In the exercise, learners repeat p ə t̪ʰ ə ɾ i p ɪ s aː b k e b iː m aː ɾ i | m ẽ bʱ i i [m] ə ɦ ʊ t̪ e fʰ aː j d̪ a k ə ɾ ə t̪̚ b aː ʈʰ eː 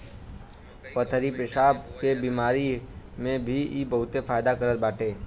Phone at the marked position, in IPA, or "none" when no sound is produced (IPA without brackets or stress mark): b